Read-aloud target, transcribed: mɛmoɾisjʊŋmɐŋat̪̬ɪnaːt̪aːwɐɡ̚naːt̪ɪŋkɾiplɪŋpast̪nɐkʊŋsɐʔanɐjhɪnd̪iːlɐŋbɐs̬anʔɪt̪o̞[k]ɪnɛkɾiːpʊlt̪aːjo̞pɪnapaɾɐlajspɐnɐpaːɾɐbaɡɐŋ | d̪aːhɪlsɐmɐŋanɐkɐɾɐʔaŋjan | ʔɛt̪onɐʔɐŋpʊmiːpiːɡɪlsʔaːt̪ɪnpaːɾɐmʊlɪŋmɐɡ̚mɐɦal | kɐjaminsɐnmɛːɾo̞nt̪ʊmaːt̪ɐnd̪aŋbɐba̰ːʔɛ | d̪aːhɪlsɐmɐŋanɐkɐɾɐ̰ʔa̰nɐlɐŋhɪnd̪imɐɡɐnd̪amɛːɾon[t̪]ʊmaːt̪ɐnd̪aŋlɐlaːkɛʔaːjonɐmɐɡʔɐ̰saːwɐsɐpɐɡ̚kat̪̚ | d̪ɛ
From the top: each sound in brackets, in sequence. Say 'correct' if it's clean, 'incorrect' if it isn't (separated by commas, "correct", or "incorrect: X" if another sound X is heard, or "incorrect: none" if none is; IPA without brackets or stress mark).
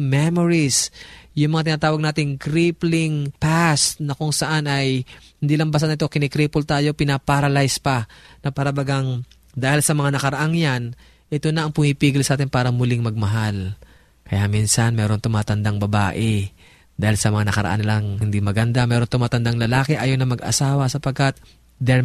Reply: correct, correct